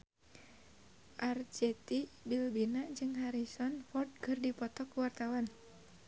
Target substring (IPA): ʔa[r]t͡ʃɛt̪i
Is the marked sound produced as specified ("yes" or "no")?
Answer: yes